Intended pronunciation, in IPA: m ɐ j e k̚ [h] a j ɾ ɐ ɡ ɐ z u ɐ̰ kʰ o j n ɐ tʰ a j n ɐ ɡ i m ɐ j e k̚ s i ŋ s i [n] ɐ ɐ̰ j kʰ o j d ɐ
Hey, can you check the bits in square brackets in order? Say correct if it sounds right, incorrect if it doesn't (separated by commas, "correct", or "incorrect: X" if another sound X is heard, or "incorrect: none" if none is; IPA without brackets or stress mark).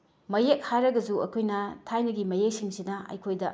correct, correct